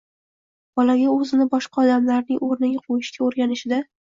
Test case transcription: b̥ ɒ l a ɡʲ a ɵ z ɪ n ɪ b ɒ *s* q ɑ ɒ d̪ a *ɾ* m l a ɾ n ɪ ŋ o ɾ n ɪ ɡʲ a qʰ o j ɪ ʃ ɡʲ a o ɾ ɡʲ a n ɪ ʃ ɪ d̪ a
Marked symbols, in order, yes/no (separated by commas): no, no